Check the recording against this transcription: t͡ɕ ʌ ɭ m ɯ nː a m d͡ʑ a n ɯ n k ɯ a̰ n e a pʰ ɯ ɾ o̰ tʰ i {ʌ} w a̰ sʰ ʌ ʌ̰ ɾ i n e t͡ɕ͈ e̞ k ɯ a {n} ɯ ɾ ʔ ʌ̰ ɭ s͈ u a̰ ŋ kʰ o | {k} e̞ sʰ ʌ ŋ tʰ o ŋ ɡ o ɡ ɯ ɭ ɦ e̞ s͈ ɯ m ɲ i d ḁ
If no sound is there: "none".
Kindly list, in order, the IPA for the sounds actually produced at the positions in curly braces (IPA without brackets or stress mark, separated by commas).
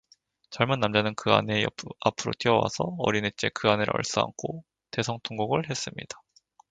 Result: ʌ, n, t